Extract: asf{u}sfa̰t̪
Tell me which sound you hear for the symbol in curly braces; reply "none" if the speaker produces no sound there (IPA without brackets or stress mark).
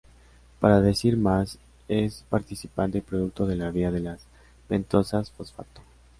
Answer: o